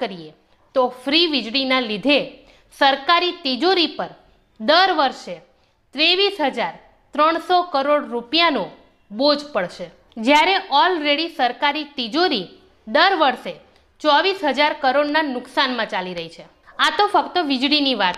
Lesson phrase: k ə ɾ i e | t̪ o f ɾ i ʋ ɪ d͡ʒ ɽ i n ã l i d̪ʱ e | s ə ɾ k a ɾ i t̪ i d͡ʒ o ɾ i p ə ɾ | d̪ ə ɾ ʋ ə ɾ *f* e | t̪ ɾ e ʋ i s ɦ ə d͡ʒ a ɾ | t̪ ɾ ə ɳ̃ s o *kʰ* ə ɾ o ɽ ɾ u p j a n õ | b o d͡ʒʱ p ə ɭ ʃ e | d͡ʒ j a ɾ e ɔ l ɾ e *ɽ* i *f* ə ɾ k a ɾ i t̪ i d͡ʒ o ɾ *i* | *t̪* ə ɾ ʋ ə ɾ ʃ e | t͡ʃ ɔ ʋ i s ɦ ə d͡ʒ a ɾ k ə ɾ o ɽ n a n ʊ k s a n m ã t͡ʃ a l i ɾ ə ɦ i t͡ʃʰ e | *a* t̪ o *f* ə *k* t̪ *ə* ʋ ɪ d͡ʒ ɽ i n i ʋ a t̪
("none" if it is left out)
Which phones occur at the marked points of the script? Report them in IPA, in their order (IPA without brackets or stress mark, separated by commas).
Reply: ʃ, k, ɽ, s, i, d̪, a, f, k, ə